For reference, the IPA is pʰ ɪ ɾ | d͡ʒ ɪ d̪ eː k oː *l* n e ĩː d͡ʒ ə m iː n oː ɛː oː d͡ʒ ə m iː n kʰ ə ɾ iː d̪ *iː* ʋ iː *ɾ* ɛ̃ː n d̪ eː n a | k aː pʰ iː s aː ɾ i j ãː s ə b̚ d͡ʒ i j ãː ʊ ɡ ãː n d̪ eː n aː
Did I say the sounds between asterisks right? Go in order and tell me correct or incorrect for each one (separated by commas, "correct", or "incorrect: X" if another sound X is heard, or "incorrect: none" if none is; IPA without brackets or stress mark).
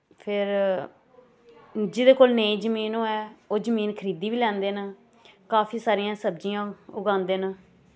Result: correct, correct, incorrect: l